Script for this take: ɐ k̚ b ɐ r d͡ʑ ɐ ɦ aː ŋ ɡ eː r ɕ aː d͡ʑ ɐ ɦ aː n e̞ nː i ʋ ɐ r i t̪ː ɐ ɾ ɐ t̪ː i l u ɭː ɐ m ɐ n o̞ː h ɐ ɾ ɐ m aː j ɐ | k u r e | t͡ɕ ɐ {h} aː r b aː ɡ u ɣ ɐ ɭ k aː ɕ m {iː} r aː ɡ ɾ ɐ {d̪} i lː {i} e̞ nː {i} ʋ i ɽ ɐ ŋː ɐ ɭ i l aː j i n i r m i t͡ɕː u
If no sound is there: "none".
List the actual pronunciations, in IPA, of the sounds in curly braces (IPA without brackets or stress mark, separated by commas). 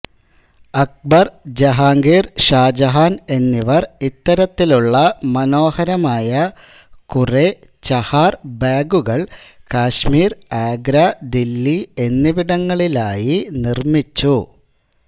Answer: h, iː, d̪, i, i